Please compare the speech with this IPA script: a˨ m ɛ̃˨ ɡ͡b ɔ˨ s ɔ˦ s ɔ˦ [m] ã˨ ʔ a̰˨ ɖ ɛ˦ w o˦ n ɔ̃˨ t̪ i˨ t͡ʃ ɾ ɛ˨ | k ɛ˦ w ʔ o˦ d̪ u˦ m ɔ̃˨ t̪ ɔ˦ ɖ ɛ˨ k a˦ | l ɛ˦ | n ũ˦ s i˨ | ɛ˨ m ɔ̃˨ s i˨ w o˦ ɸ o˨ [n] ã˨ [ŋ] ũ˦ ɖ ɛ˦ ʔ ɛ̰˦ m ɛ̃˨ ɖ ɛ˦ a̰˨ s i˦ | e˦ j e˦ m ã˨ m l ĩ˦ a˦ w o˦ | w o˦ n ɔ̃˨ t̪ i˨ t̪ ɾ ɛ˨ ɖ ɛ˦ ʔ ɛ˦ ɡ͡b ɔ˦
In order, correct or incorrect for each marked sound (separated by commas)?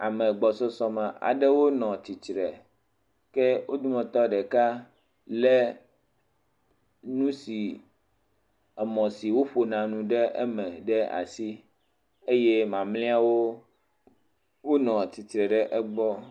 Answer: correct, correct, incorrect